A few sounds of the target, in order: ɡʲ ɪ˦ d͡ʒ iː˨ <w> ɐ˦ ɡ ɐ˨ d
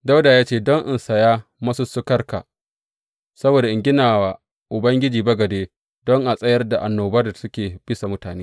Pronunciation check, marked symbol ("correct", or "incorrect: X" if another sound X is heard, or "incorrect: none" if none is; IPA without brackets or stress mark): incorrect: b